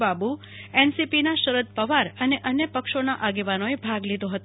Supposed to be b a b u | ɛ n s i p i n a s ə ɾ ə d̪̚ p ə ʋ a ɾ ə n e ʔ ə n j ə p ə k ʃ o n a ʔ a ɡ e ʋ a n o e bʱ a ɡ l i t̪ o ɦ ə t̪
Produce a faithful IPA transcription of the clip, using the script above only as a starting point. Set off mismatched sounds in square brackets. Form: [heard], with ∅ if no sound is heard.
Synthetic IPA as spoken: b a b u | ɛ n s i p i n a [ʃ] ə ɾ ə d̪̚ p ə ʋ a ɾ ə n e ʔ ə n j ə p ə k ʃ o n a ʔ a ɡ e ʋ a n o e bʱ a ɡ l i [d̪] o ɦ ə t̪